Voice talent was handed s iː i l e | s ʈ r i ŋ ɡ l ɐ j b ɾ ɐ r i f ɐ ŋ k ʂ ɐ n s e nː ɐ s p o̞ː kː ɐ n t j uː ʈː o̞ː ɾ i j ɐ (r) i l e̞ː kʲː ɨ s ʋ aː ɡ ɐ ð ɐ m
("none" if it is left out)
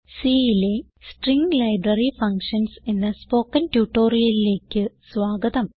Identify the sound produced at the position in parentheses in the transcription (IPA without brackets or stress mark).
l